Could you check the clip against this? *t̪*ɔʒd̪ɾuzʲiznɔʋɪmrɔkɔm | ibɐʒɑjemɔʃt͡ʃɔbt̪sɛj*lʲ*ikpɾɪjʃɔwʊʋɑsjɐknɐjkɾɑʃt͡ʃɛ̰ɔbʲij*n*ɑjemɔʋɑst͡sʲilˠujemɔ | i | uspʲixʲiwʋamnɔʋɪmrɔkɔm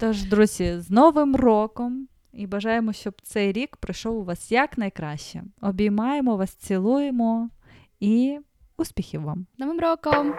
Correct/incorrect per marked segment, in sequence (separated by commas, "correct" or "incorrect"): correct, incorrect, incorrect